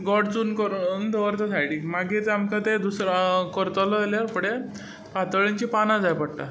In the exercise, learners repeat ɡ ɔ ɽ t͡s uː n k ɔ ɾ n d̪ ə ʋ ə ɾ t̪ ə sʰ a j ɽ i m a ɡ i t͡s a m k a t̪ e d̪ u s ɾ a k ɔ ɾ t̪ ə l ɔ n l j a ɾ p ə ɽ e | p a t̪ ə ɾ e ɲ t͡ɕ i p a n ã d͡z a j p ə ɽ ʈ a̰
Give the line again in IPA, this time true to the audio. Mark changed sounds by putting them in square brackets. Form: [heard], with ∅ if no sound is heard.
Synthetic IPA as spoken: ɡ ɔ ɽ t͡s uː n k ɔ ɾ n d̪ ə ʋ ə ɾ t̪ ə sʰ a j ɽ i m a ɡ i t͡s a m k a t̪ e d̪ u s ɾ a k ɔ ɾ t̪ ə l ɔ [∅] l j a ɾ p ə ɽ e | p a t̪ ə [ɭ] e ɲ t͡ɕ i p a n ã d͡z a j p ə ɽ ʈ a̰

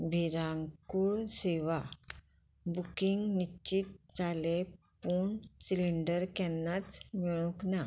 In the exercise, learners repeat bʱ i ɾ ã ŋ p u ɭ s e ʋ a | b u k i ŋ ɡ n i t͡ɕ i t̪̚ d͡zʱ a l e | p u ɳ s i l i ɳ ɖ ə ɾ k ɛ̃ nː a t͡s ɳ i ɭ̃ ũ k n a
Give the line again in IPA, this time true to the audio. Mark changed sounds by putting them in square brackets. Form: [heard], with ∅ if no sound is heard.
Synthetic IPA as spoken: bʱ i ɾ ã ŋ [k] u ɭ s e ʋ a | b u k i ŋ ɡ n i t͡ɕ i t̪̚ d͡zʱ a l e | p u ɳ s i l i ɳ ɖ ə ɾ k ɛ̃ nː a t͡s [m] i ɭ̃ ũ k n a

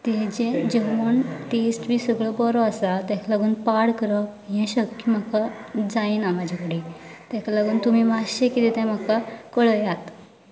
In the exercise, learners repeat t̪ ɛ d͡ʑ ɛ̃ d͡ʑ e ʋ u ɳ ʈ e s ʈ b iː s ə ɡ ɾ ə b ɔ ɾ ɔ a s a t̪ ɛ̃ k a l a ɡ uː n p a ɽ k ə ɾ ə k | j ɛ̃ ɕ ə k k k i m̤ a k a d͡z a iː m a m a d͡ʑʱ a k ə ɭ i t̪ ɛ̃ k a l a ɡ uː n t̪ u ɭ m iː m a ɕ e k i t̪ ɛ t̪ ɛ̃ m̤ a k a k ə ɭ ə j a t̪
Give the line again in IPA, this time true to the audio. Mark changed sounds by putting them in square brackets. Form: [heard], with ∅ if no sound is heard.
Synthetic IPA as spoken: t̪ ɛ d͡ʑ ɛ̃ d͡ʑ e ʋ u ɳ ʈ e s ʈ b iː s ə ɡ [ɭ] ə b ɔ ɾ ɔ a s a t̪ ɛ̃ k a l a ɡ uː n p a ɽ k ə ɾ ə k | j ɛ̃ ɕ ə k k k i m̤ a k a d͡z a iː [n] a m a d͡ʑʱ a k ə [ɽ] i t̪ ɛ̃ k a l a ɡ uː n t̪ u [∅] m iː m a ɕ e k i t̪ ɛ t̪ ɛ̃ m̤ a k a k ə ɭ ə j a t̪

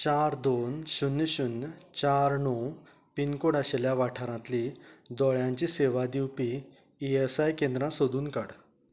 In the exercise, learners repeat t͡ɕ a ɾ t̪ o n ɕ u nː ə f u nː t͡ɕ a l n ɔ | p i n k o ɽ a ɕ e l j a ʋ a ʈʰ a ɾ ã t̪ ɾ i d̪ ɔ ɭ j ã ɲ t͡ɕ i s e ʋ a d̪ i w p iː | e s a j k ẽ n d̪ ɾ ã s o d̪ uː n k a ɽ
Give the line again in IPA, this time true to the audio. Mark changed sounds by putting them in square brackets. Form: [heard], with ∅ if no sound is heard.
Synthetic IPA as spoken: t͡ɕ a ɾ [d̪] o n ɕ u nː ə [ɕ] u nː t͡ɕ a [ɾ] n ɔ | p i n k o ɽ a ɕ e l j a ʋ a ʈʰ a ɾ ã t̪ [l] i d̪ ɔ ɭ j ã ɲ t͡ɕ i s e ʋ a d̪ i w p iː | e s a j k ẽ n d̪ ɾ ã s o d̪ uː n k a ɽ

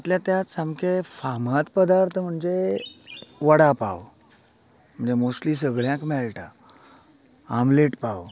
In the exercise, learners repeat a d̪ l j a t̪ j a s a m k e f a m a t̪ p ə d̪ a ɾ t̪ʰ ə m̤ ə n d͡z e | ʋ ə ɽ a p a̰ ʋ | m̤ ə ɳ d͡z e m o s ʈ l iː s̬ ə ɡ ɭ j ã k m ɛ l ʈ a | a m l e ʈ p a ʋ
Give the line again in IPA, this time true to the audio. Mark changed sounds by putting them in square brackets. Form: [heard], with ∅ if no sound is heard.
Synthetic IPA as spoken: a [t̪] l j a t̪ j a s a m k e f a m a t̪ p ə d̪ a ɾ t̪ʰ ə m̤ ə [ɳ] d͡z e | ʋ ə ɽ a p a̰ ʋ | m̤ ə ɳ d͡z e m o s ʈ l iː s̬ ə ɡ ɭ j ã k m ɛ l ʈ a | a m l e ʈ p a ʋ

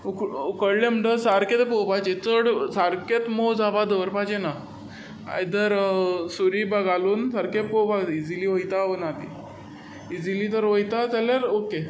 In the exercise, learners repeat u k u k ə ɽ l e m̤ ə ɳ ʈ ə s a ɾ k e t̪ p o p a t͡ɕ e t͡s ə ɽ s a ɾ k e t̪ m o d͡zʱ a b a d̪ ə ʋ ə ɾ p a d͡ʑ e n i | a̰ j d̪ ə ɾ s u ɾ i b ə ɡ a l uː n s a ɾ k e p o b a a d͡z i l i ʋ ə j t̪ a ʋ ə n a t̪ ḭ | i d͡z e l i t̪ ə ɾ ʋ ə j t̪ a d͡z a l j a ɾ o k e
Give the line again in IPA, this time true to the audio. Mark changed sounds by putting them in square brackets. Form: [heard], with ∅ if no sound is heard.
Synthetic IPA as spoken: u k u k ə ɽ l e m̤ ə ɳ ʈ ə s a ɾ k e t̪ p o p a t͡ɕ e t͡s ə ɽ s a ɾ k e t̪ m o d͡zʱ a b a d̪ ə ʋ ə ɾ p a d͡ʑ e n [a] | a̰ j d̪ ə ɾ s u ɾ i b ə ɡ a l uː n s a ɾ k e p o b a [i] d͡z i l i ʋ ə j t̪ a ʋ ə n a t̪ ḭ | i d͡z [i] l i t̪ ə ɾ ʋ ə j t̪ a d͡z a l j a ɾ o k e

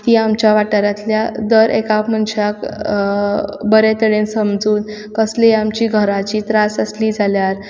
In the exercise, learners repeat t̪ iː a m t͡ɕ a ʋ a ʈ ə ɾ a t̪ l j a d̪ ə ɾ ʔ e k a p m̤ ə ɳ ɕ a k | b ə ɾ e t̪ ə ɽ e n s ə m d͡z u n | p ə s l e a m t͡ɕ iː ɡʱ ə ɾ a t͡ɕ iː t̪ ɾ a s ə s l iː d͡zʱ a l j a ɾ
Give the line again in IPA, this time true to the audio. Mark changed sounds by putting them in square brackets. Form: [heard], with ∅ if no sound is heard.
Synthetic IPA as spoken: t̪ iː a m t͡ɕ a ʋ a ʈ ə ɾ a t̪ l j a d̪ ə ɾ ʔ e k a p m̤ ə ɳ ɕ a k | b ə ɾ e t̪ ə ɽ e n s ə m d͡z [uː] n | [k] ə s l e a m t͡ɕ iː ɡʱ ə ɾ a t͡ɕ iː t̪ ɾ a s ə s l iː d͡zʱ a l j a ɾ

